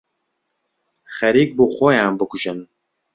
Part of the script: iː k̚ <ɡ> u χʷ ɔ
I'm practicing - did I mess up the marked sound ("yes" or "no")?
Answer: yes